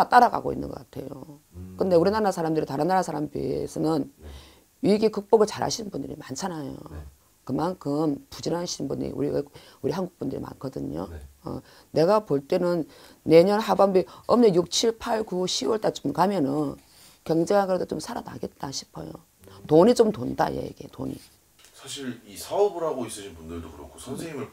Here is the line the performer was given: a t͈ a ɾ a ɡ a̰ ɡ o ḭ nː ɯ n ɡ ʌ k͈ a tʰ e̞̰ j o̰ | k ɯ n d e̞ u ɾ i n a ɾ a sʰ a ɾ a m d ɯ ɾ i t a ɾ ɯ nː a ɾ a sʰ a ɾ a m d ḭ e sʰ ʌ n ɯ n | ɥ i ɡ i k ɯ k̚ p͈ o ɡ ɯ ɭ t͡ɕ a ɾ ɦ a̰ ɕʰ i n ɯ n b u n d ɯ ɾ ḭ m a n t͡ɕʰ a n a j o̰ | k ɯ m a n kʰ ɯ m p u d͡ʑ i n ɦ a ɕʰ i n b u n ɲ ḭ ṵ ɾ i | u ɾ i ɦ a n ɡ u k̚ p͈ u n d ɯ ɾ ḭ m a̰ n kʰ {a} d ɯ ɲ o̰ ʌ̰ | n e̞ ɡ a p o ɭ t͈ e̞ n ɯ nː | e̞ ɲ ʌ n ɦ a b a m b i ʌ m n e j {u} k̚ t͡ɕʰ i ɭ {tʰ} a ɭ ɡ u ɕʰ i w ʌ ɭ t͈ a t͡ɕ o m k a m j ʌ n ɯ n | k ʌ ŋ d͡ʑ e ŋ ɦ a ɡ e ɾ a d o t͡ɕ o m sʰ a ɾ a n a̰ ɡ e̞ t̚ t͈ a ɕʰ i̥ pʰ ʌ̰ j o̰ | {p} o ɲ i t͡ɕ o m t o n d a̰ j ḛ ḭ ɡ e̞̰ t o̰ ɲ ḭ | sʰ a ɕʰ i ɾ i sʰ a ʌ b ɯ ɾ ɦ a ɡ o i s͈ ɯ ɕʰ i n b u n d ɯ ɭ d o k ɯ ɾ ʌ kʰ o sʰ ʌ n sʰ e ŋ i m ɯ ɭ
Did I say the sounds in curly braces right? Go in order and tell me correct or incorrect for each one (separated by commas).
incorrect, correct, incorrect, incorrect